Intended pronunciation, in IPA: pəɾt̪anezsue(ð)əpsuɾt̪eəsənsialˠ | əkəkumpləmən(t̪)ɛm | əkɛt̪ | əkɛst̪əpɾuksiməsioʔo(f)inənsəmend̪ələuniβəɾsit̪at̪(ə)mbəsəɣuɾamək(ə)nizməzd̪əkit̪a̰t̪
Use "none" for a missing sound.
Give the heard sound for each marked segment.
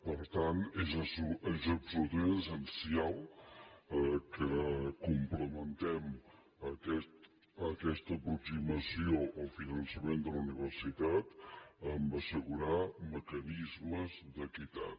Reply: z, t̪, f, ə, ə

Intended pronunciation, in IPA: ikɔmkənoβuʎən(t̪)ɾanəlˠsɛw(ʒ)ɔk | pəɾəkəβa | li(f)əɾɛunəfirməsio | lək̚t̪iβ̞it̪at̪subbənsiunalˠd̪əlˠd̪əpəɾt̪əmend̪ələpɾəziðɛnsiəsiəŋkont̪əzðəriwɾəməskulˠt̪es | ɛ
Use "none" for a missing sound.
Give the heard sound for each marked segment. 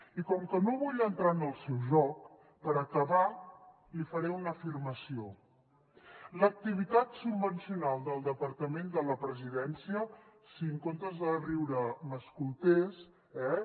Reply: t̪, ʒ, f

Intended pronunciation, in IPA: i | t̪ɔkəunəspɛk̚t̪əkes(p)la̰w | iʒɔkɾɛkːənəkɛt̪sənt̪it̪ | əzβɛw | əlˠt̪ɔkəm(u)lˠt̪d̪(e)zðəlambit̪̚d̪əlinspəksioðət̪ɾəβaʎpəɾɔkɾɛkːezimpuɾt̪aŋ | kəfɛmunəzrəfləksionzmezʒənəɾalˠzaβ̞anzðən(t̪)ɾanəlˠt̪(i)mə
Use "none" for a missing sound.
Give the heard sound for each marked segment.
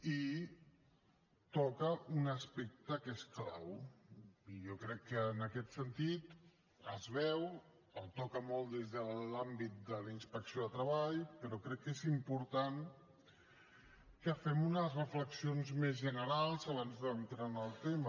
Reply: k, ɔ, e, t̪, e

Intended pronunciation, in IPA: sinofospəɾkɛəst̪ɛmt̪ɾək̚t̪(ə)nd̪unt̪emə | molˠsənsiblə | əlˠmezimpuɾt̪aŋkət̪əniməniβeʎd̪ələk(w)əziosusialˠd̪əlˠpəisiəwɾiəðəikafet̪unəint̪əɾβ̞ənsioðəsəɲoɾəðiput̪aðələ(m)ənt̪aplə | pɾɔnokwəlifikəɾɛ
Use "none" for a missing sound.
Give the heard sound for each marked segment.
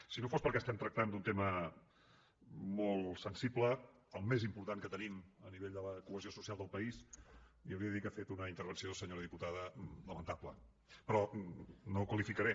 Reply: a, u, m

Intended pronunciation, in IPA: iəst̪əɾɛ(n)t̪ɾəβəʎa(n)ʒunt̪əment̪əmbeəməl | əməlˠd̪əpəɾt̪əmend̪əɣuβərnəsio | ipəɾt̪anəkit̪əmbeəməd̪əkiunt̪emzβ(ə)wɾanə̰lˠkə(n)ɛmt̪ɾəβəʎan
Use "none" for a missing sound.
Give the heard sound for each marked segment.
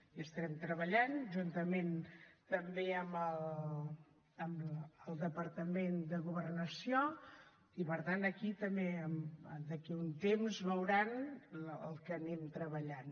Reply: m, n, ə, n

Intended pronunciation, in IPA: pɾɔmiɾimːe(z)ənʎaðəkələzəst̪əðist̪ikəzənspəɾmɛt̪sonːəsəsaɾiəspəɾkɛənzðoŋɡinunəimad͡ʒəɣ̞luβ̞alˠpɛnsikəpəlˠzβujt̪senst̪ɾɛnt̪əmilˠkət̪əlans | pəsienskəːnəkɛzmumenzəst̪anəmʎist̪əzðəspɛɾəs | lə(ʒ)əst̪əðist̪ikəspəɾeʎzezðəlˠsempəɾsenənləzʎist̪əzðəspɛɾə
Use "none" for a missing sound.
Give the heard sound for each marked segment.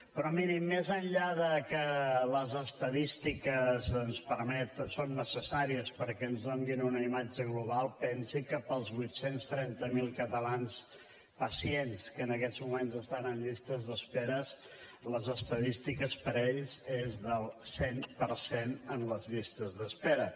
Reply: z, z

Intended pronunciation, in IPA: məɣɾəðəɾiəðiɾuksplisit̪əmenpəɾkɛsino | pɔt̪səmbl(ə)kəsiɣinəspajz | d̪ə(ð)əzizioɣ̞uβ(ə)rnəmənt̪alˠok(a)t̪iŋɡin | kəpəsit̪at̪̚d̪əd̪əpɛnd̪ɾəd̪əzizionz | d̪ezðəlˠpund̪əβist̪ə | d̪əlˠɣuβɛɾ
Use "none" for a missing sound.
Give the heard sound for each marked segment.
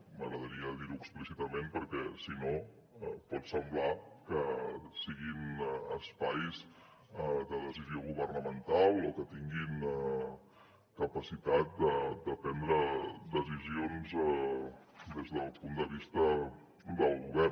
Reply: a, ð, ə, ə

